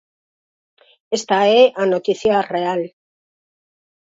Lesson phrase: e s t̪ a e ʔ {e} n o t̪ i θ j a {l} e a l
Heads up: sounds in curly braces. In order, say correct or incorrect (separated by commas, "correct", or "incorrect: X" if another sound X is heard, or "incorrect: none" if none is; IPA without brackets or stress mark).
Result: incorrect: a, incorrect: r